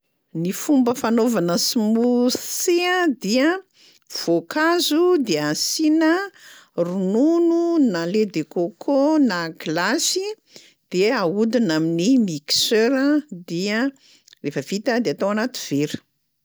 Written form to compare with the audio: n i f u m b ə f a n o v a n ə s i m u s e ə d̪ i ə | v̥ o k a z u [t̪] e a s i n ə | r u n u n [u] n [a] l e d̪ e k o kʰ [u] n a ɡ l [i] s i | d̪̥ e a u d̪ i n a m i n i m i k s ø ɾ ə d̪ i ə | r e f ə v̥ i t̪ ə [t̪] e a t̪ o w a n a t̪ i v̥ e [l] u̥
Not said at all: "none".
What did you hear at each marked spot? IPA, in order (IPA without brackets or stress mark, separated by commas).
d̪, u, a, o, a, d̪, ɾ